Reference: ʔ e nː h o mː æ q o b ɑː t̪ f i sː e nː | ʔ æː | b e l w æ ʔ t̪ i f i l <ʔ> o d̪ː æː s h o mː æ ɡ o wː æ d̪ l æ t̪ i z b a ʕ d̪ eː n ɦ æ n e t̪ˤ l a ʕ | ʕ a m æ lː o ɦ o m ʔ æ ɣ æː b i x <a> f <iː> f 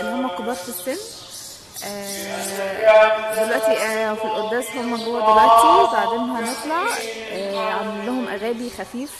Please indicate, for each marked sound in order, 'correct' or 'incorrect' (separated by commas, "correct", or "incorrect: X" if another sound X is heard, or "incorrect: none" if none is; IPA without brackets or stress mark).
correct, incorrect: æ, correct